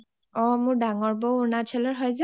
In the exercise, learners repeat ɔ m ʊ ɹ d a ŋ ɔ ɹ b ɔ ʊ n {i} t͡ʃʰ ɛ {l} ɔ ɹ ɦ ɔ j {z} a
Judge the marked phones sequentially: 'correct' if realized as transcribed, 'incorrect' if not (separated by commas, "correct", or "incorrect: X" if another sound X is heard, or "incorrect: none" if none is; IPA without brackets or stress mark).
incorrect: a, correct, correct